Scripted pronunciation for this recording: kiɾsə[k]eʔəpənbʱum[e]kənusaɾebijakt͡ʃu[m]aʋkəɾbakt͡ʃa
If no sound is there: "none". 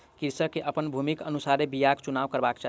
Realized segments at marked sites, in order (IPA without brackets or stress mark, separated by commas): k, i, n